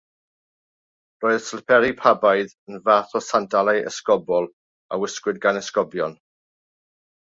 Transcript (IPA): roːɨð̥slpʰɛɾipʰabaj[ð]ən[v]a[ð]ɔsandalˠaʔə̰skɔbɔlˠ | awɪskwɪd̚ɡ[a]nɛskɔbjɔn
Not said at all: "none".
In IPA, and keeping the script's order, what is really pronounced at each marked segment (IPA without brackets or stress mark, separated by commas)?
ð, v, θ, a